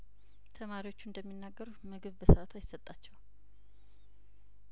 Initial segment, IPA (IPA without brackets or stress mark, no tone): t̪ʰ